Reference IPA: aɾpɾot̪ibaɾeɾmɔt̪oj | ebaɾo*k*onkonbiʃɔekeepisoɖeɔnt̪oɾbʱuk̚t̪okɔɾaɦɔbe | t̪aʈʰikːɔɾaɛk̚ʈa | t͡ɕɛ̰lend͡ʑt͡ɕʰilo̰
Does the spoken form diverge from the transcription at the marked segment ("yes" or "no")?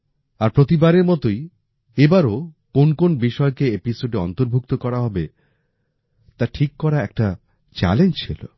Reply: no